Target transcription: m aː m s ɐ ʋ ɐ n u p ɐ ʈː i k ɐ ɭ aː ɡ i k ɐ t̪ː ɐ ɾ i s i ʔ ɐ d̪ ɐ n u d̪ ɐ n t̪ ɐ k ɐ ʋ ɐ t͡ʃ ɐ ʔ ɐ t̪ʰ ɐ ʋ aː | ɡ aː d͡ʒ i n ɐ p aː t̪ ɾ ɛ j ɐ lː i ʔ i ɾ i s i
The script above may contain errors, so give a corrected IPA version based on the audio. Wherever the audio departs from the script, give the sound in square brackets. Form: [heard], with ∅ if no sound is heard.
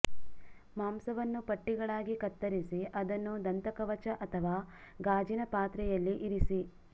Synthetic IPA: m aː m s ɐ ʋ ɐ [nː] u p ɐ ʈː i [ɡ] ɐ ɭ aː ɡ i k ɐ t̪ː ɐ ɾ i s i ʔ ɐ d̪ ɐ [nː] u d̪ ɐ n t̪ ɐ k ɐ ʋ ɐ t͡ʃ ɐ ʔ ɐ t̪ʰ ɐ ʋ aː | ɡ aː d͡ʒ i n ɐ p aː t̪ ɾ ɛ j ɐ lː i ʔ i ɾ i s i